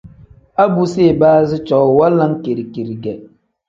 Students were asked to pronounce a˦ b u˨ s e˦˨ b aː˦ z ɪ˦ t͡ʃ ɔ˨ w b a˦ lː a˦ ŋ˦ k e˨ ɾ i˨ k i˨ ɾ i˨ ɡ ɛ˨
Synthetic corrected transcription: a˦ b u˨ s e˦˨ b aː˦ z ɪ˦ t͡ʃ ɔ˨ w w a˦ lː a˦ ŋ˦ k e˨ ɾ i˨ k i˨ ɾ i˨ ɡ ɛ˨